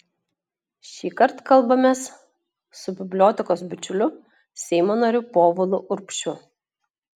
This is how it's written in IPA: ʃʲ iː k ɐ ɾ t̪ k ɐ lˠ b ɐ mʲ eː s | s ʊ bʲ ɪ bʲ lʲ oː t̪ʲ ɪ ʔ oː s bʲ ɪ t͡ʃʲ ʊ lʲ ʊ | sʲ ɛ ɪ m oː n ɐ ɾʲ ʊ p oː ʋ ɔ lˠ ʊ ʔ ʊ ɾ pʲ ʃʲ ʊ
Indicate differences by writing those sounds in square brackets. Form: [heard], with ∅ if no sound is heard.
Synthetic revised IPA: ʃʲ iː k ɐ ɾ t̪ k ɐ lˠ b ɐ mʲ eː s | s ʊ bʲ ɪ bʲ lʲ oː t̪ʲ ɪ [k] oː s bʲ ɪ t͡ʃʲ ʊ lʲ ʊ | sʲ ɛ ɪ m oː n ɐ ɾʲ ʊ p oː ʋ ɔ lˠ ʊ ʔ ʊ ɾ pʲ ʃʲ ʊ